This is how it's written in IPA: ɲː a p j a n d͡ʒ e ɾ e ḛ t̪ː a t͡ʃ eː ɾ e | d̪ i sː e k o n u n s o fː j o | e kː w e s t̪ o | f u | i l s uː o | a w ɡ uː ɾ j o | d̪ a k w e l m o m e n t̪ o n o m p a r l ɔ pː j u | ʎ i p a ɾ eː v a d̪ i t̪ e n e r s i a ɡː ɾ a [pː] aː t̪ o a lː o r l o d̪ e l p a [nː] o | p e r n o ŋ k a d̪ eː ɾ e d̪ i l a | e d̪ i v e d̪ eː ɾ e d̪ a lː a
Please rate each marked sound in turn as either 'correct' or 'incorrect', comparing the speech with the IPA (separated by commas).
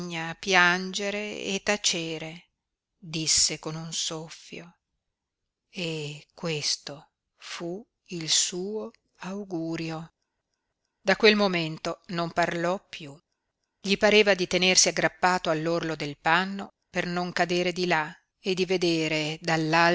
correct, correct